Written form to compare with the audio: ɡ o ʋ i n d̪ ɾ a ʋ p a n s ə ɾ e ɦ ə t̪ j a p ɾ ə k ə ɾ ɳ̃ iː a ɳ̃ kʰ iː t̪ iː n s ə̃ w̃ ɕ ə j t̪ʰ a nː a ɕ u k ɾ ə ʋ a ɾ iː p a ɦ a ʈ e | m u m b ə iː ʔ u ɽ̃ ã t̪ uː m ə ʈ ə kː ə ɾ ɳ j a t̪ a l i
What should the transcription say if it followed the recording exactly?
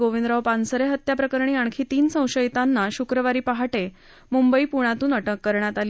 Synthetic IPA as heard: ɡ o ʋ i n d̪ ɾ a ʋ p a n s ə ɾ e ɦ ə t̪ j a p ɾ ə k ə ɾ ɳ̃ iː a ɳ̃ kʰ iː t̪ iː n s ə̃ w̃ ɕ ə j t̪ a nː a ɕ u k ɾ ə ʋ a ɾ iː p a ɦ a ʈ e | m u m b ə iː p u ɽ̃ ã t̪ uː n ə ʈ ə kː ə ɾ ɳ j a t̪ a l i